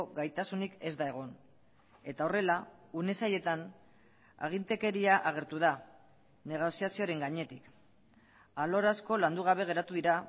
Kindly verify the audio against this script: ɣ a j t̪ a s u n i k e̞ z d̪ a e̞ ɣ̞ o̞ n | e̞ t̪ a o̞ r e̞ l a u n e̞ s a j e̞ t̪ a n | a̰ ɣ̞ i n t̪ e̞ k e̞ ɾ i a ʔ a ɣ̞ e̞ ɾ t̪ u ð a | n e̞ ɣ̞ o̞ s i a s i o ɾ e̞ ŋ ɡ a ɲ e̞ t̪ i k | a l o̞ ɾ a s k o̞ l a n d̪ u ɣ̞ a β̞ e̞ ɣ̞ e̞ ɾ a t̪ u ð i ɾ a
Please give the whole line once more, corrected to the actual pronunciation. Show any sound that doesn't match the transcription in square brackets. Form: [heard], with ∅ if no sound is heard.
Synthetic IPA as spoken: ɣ a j t̪ a s u n i k e̞ z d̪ a e̞ ɣ̞ o̞ n | e̞ t̪ a o̞ r e̞ l a u n e̞ s a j e̞ t̪ a n | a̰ ɣ̞ i n t̪ e̞ k e̞ ɾ i a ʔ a ɣ̞ e̞ ɾ t̪ u ð a | n e̞ ɣ̞ o̞ s i a s i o ɾ e̞ ŋ ɡ a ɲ e̞ t̪ i k | a l o̞ ɾ a s k o̞ l a n d̪ u ɣ̞ a β̞ e̞ ɣ̞ e̞ ɾ a t̪ u ð i ɾ a